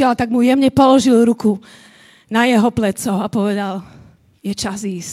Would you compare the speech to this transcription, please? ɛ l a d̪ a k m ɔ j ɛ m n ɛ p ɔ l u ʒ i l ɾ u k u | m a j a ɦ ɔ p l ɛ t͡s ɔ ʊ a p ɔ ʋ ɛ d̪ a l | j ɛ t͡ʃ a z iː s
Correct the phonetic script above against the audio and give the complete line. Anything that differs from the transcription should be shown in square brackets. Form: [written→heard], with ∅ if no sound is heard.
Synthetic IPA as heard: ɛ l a [d̪→t̪] a [k→ɡ] m [ɔ→u] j ɛ m [n→ɲ] ɛ p ɔ l [u→ɔ] ʒ i l ɾ u k u | [m→n] a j [a→ɛ] ɦ ɔ p l ɛ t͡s ɔ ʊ a p ɔ ʋ ɛ d̪ a l | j ɛ t͡ʃ a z iː s